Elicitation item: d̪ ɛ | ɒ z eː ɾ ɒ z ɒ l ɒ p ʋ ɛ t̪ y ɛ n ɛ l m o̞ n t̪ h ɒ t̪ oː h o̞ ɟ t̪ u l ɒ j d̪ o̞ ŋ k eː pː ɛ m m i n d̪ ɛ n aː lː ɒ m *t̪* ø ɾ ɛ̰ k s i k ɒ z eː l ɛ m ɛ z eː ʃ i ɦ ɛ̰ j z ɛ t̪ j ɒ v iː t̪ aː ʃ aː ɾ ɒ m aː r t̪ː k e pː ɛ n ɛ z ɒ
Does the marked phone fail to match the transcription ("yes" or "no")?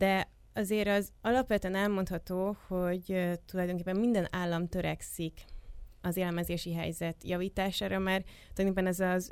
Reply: no